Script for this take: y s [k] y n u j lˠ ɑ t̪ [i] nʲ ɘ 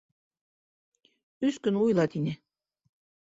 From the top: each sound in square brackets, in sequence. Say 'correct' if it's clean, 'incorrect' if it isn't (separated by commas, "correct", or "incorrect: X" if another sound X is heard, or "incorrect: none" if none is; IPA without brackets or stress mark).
correct, correct